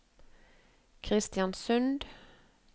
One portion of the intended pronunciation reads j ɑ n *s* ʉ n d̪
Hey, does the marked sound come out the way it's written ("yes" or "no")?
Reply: yes